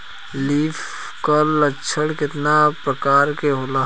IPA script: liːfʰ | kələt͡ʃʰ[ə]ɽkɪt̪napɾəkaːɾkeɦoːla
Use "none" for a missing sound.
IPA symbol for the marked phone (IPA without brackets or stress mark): ə